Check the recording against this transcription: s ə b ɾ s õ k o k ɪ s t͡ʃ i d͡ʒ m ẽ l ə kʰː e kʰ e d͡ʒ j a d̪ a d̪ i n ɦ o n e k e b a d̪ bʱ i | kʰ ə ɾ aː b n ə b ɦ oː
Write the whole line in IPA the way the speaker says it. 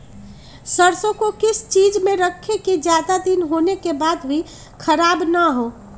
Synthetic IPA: s ə ɾ s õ k o k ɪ s t͡ʃ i d͡ʒ m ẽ ɾ ə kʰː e k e d͡ʒ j a d̪ a d̪ i n ɦ o n e k e b a d̪ bʱ i | kʰ ə ɾ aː b n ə ɦ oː